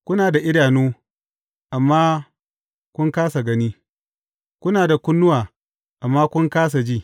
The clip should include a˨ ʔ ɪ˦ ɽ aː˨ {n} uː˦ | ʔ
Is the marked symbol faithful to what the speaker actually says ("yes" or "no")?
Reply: yes